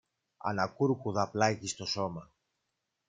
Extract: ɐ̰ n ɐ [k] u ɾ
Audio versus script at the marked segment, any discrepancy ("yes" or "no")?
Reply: no